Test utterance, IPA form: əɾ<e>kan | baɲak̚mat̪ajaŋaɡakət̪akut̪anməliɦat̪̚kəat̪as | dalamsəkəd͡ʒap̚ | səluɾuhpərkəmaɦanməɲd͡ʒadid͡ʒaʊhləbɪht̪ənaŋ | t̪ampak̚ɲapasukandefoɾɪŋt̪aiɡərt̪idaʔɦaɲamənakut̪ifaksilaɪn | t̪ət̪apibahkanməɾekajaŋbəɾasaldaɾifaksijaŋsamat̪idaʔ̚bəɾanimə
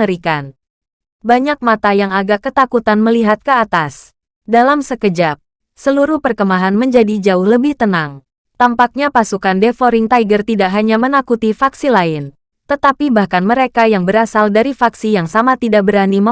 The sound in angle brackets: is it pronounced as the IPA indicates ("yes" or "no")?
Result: no